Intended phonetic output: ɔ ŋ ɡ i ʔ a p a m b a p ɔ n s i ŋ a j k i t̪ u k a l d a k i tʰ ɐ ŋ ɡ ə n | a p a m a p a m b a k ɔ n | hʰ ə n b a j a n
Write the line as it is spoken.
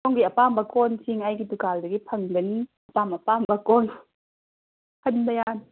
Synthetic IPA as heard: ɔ ŋ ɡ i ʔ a p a m b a k ɔ n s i ŋ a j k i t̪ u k a l d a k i pʰ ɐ ŋ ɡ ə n | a p a m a p a m b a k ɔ n | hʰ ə n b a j a n

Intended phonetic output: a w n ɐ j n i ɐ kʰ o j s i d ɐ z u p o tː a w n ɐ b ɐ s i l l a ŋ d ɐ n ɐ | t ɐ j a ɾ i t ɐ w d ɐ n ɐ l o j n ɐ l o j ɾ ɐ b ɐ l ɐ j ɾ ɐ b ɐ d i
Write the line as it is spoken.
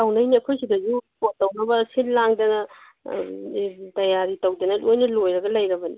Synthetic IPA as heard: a w n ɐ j n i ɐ kʰ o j s i d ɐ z u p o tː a w n ɐ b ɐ s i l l a ŋ d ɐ n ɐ | t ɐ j a ɾ i t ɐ w d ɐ n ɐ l o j n ɐ l o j ɾ ɐ ɡ ɐ l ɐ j ɾ ɐ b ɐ n i

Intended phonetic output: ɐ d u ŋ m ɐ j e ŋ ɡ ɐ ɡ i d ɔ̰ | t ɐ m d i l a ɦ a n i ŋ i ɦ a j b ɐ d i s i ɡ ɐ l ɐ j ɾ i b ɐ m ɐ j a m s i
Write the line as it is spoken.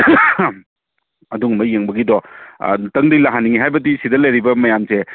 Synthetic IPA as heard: ɐ d u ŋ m ɐ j e ŋ b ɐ ɡ i d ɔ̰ | t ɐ ŋ d i l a ɦ a n i ŋ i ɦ a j b ɐ d i s i d ɐ l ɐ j ɾ i b ɐ m ɐ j a m s e

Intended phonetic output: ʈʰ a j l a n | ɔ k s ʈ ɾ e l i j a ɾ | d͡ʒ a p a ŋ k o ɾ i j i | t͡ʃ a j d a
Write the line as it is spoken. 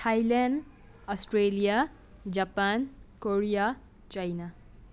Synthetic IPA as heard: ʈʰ a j l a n | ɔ s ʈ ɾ e l i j a | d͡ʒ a p a n k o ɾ i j a | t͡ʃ a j n a

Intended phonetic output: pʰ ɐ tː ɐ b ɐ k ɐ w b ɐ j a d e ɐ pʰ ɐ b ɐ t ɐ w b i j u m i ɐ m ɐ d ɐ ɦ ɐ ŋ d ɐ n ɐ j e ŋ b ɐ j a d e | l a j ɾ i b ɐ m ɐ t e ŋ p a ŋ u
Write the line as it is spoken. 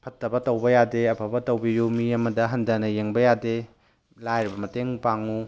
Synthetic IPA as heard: pʰ ɐ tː ɐ b ɐ t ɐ w b ɐ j a d e ɐ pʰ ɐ b ɐ t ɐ w b i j u m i ɐ m ɐ d ɐ ɦ ɐ n d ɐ n ɐ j e ŋ b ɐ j a d e | l a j ɾ i b ɐ m ɐ t e ŋ p a ŋ u

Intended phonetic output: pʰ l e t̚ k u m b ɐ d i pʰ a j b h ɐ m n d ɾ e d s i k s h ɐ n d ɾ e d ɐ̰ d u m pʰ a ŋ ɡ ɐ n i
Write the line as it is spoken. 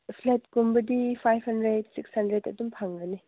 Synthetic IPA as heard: pʰ l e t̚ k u m b ɐ d i pʰ a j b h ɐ n d ɾ e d s i k s h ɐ n d ɾ e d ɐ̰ d u m pʰ a ŋ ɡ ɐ n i

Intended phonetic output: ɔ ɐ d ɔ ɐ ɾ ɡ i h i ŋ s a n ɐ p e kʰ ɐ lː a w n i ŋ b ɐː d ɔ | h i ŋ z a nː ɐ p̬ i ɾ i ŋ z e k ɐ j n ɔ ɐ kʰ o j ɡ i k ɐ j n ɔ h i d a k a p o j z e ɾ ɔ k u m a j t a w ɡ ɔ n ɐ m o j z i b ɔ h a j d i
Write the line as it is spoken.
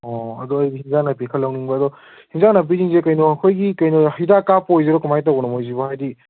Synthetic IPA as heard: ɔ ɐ d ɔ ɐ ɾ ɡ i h i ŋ z a n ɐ p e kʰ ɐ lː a w n i ŋ b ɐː d ɔ | h i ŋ z a n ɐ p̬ i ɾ i ŋ z e k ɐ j n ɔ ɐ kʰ o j ɡ i k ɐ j n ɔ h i d a k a p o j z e ɾ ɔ k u m a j t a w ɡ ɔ n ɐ m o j z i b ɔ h a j d i

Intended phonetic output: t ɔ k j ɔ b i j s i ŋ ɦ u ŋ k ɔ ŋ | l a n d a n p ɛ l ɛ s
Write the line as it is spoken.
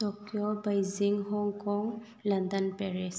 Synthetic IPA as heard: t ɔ k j ɔ b a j z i ŋ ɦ ɔ ŋ k ɔ ŋ | l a n d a n p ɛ ɹ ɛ s

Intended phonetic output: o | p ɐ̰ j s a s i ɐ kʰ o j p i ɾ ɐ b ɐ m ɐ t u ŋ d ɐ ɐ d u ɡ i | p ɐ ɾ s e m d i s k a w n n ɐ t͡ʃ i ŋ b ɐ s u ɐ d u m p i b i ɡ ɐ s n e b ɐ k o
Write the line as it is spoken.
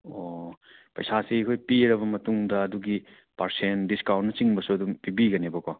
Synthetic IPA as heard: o | p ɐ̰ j s a s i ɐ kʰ o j p i ɾ ɐ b ɐ m ɐ t u ŋ d ɐ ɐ d u ɡ i | p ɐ ɾ s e n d i s k a w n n ɐ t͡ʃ i ŋ b ɐ s u ɐ d u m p i b i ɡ ɐ n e b ɐ k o

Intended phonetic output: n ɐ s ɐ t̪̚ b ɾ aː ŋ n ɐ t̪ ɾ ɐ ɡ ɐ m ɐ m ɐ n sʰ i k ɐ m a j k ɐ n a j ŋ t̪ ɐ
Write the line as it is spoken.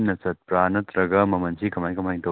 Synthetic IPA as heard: n ɐ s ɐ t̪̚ p ɾ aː n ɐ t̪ ɾ ɐ ɡ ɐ m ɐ m ɐ n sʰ i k ɐ m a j k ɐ m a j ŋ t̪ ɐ

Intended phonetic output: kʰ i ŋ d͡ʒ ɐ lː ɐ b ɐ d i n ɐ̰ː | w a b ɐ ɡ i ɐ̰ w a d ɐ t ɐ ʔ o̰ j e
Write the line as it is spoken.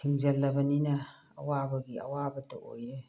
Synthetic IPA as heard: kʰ i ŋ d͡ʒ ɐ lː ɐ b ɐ n i n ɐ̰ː | w a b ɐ ɡ i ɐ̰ w a b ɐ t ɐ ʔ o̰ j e

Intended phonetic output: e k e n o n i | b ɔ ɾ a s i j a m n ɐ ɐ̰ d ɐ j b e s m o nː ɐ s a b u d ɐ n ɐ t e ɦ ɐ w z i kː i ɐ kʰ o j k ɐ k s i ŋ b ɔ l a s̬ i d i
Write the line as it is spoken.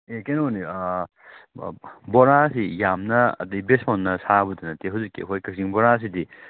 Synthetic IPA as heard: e k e n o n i | b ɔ ɾ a s i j a m n ɐ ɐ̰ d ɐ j b e s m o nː ɐ s a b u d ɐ n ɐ t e ɦ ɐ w z i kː i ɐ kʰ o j k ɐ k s i ŋ b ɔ ɾ a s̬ i d i

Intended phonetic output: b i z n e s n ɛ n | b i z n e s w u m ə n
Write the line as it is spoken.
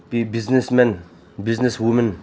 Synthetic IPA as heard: b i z n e s m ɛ n | b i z n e s w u m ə n

